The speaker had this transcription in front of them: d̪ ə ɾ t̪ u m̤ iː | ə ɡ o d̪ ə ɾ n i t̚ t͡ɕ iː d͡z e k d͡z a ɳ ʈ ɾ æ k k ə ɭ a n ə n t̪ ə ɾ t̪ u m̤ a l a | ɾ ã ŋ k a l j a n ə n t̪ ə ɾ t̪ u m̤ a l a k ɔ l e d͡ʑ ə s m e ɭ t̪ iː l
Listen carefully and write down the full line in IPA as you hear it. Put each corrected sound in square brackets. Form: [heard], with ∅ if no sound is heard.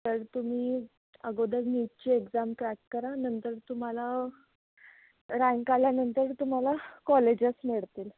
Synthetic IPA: [t̪] ə ɾ t̪ u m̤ iː | ə ɡ o d̪ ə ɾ n i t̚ t͡ɕ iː [∅] e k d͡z a [m] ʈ ɾ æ k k ə [ɾ] a n ə n t̪ ə ɾ t̪ u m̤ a l a | ɾ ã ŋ k a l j a n ə n t̪ ə ɾ t̪ u m̤ a l a k ɔ l e d͡ʑ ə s m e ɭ t̪ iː l